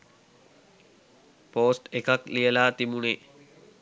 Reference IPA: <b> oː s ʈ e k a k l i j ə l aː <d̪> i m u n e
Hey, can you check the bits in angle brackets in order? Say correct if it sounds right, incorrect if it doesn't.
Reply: incorrect: p, incorrect: t̪

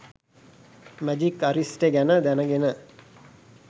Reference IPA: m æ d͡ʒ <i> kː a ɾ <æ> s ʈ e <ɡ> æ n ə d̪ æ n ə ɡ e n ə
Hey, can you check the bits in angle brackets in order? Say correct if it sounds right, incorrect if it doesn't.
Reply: correct, incorrect: i, correct

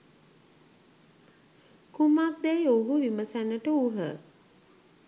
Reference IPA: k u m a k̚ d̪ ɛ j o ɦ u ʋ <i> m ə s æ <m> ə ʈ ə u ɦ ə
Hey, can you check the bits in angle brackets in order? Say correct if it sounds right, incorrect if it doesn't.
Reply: correct, incorrect: n

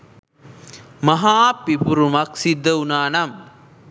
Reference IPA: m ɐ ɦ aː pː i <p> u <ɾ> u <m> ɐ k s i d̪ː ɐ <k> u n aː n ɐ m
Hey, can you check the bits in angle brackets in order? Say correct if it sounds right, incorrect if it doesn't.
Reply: correct, correct, correct, incorrect: none

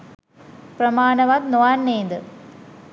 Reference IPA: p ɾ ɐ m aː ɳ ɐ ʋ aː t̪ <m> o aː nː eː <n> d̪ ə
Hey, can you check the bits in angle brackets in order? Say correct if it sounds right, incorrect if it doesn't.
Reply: incorrect: n, correct

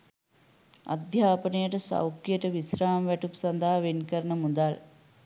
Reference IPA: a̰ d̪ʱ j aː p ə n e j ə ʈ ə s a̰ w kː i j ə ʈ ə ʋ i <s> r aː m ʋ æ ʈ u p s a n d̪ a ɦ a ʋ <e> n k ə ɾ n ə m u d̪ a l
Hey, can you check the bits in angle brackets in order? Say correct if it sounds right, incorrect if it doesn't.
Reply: correct, correct

